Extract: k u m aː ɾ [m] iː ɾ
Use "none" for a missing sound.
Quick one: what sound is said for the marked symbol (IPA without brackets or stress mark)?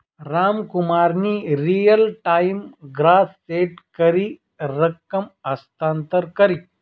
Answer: n